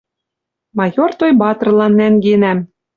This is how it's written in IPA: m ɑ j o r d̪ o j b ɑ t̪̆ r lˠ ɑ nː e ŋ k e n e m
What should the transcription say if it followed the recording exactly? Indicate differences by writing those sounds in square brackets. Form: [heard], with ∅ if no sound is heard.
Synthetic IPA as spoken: m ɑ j o r [t̪] o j b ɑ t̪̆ r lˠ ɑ nː [æ] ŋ [ɡ] e n [æ] m

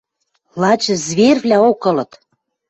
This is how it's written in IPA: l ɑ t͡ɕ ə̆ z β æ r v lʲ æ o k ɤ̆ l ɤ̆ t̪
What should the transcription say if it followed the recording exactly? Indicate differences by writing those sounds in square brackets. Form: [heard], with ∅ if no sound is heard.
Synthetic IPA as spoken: l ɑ t͡ɕ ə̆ z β [e] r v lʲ æ o k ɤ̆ l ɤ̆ t̪

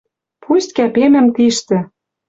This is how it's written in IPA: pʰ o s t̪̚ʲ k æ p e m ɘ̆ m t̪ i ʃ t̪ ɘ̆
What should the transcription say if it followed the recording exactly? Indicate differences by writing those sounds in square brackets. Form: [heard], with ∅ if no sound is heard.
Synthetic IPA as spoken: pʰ [u] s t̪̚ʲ k æ p e m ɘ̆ m t̪ i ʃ t̪ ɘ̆

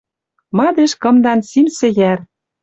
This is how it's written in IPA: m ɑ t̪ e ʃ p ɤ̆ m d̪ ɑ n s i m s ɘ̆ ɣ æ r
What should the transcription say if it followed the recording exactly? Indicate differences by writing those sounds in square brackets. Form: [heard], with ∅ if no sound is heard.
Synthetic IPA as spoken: m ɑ [d̪] e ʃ [k] ɤ̆ m d̪ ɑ n s i m s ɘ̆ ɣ æ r

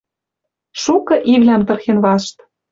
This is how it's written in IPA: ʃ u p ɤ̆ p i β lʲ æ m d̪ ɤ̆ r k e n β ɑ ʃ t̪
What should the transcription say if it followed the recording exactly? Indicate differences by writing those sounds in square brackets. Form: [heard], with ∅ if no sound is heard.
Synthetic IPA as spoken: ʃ u [k] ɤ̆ [ʔ] i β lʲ æ m [t̪] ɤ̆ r [x] e n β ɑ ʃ t̪

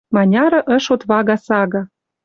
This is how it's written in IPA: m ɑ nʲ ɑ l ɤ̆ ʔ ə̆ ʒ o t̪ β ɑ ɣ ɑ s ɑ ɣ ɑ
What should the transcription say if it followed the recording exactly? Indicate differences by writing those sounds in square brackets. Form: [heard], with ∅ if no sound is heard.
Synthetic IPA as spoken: m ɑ nʲ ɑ [ɾ] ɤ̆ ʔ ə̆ [ʃ] o t̪ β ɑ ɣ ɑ s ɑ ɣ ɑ

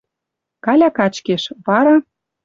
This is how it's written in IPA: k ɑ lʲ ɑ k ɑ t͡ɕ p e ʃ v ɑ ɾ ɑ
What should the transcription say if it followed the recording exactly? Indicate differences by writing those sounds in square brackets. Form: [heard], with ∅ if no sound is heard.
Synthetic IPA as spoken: k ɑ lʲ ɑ k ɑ t͡ɕ [k] e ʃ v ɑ ɾ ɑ

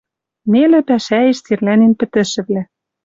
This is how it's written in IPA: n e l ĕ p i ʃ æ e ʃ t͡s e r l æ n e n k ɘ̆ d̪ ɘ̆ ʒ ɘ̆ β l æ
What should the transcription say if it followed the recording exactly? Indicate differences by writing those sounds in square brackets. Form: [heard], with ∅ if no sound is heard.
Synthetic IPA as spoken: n e l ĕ p [æ] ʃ æ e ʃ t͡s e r l æ n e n [p] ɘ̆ [t̪] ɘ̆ [ʃ] ɘ̆ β l æ

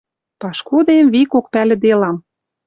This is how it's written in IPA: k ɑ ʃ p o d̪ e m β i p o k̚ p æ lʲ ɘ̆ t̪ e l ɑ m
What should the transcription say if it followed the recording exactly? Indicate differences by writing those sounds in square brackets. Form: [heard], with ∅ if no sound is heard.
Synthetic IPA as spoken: [p] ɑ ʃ [k] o d̪ e m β i [k] o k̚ p æ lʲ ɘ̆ [d̪] e l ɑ m

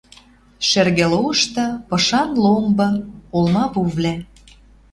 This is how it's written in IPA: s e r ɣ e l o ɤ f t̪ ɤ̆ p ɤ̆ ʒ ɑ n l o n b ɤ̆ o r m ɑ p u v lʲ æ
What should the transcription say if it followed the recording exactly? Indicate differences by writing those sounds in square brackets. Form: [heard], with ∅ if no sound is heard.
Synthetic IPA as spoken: [ʃ] e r ɣ e l o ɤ [ʃ] t̪ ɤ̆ p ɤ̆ [ʃ] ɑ n l o [m] b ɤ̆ o [l] m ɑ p u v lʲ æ

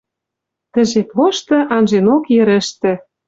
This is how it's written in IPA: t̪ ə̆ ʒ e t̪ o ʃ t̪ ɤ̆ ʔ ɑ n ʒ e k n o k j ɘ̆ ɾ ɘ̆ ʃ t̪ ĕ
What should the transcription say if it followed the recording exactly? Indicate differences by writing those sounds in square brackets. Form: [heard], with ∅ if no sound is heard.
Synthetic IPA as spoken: t̪ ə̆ ʒ e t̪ o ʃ t̪ ɤ̆ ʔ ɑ n ʒ e [∅] n o k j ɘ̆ ɾ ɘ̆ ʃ t̪ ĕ

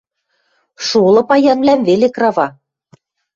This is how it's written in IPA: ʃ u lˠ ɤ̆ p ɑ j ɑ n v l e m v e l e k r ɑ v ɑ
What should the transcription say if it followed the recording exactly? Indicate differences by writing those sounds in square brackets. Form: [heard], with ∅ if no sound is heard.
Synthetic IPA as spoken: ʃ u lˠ ɤ̆ p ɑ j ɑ n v l [æ] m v e l e k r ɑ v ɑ

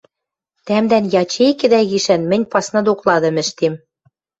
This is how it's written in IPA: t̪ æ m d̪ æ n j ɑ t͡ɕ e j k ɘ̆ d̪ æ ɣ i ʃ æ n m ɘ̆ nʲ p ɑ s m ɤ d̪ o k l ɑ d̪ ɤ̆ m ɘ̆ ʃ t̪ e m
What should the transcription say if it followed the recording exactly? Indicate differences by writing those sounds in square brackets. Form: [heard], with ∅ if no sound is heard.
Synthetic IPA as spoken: t̪ æ m d̪ æ n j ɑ t͡ɕ e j k ɘ̆ d̪ æ ɣ i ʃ æ n m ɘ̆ nʲ p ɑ s [n] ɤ d̪ o k l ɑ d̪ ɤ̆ m ɘ̆ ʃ t̪ e m

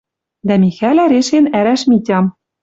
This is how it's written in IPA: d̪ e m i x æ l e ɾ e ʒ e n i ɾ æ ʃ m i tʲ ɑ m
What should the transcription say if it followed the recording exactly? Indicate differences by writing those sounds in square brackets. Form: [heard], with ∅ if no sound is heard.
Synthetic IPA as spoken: d̪ [æ] m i x æ l [æ] ɾ e [ʃ] e n [æ] ɾ æ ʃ m i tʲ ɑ m

